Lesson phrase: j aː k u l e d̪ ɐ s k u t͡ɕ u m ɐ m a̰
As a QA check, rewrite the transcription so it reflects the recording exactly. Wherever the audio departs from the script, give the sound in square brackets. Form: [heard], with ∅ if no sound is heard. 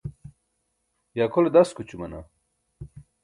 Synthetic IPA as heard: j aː k [o] l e d̪ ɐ s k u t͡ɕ u m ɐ [n] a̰